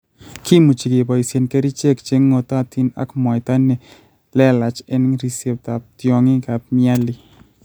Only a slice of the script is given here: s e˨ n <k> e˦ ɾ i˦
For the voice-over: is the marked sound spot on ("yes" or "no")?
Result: yes